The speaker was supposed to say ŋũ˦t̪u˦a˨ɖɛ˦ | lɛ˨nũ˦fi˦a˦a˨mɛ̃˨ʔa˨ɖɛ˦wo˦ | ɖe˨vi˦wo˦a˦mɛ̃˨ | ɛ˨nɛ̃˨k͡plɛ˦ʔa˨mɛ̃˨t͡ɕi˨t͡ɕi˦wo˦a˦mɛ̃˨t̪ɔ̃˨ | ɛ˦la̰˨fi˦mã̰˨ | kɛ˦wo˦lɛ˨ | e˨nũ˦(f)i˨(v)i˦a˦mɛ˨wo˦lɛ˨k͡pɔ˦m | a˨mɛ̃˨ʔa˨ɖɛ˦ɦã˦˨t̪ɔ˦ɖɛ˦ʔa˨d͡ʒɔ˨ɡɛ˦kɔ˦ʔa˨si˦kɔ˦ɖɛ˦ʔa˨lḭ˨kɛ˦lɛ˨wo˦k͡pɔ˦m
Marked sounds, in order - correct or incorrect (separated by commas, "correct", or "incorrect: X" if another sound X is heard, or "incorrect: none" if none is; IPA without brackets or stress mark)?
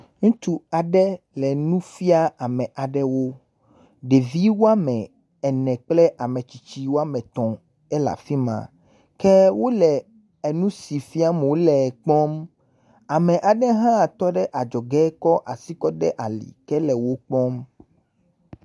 incorrect: s, incorrect: f